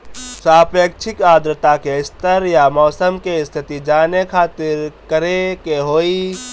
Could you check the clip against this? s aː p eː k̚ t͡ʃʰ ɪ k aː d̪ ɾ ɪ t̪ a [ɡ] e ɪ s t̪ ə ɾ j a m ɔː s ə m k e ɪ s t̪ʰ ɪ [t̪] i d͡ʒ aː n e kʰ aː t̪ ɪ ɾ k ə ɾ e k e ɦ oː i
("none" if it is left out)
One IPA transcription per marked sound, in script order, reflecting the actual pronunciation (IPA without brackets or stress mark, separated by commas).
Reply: k, t̪